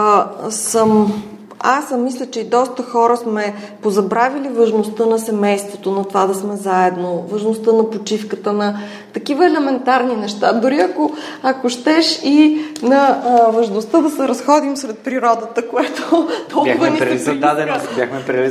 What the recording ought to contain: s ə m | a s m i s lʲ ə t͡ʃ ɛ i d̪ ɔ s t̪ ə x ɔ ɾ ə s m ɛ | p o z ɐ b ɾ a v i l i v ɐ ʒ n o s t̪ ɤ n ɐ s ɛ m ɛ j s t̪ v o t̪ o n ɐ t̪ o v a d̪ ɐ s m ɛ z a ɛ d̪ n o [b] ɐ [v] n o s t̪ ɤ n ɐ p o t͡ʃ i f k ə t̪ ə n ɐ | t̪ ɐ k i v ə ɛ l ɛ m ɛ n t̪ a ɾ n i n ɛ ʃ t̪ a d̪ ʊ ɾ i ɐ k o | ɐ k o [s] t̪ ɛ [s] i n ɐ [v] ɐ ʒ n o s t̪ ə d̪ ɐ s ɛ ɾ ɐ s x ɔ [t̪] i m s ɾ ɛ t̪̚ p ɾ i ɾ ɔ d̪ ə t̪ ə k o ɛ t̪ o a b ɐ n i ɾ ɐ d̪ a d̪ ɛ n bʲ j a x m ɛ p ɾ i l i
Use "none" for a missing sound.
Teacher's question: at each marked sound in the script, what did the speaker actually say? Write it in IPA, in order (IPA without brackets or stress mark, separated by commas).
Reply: v, ʒ, ʃ, ʃ, v, d̪